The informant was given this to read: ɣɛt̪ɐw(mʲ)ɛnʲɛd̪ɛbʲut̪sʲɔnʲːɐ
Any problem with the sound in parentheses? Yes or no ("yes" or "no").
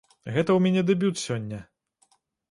no